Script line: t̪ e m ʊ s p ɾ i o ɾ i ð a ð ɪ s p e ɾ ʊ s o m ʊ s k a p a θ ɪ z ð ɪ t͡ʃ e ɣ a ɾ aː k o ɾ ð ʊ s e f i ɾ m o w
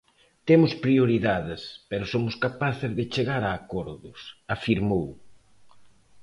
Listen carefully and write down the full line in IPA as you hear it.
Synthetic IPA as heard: t̪ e m ʊ s p ɾ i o ɾ i ð a ð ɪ s p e ɾ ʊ s o m ʊ s k a p a θ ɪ z ð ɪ t͡ʃ e ɣ a ɾ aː k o ɾ ð ʊ s a f i ɾ m o w